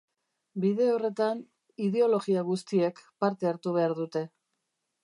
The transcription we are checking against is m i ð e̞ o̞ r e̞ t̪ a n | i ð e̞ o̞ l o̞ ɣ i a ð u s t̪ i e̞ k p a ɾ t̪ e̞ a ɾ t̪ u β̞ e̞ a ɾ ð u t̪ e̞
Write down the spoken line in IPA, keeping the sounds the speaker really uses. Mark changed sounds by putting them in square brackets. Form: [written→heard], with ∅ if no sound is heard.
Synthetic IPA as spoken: [m→b] i ð e̞ o̞ r e̞ t̪ a n | i ð e̞ o̞ l o̞ ɣ i a [ð→ɣ] u s t̪ i e̞ k p a ɾ t̪ e̞ a ɾ t̪ u β̞ e̞ a ɾ ð u t̪ e̞